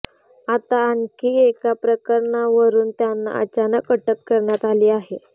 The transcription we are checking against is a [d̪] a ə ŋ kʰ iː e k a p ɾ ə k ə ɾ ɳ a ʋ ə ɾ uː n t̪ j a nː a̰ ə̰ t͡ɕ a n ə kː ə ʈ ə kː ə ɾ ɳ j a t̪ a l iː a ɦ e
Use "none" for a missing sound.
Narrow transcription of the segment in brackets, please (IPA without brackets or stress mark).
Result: t̪